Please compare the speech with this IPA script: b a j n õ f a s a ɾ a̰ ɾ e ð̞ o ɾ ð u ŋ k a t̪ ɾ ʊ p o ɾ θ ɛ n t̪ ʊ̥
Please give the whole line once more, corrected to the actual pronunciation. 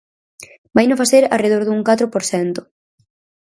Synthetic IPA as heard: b a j n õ f a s e ɾ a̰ r e ð̞ o ɾ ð u ŋ k a t̪ ɾ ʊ p o ɾ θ ɛ n t̪ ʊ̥